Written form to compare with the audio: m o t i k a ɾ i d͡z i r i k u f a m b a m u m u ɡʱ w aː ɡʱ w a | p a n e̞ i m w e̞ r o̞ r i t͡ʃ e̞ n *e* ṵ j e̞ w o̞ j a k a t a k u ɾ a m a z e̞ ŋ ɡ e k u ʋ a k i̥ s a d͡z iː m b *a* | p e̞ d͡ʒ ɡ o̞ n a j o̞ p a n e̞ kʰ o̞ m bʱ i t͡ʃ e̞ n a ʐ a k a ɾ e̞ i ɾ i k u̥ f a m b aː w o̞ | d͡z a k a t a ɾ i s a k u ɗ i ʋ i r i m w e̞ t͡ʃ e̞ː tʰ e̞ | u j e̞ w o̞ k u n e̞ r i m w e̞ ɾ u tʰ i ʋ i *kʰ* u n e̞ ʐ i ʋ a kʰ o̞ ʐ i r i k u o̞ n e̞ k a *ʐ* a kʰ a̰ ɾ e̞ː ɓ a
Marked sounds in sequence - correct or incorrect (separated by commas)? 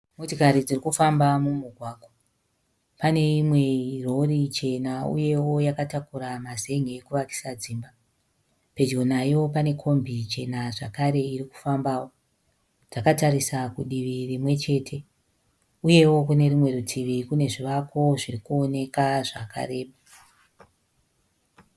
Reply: incorrect, correct, incorrect, correct